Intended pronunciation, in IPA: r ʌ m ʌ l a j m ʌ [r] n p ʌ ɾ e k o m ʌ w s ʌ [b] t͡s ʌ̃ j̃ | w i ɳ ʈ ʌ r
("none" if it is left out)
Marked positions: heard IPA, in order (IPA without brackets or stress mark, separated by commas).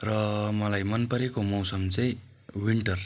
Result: none, m